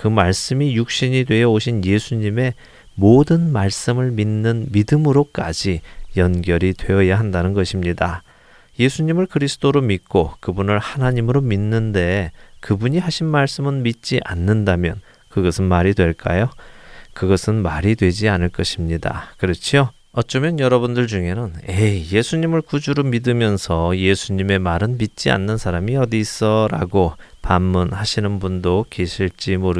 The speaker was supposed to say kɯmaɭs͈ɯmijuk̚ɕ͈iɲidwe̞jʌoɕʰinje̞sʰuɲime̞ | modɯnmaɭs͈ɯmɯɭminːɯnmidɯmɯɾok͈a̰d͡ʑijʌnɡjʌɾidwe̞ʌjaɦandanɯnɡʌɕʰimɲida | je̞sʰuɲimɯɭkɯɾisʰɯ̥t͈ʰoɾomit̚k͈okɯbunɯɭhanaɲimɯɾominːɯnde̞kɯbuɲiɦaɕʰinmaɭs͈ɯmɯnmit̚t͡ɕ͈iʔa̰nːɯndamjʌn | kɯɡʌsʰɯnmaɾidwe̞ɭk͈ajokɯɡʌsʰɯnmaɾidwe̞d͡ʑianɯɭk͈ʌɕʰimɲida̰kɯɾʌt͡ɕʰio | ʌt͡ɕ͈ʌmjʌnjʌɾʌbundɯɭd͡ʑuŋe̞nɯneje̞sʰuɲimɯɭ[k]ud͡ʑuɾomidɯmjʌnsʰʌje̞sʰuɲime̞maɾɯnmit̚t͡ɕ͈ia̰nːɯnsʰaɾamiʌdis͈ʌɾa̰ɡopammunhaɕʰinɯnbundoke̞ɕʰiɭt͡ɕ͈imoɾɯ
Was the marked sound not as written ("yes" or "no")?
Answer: no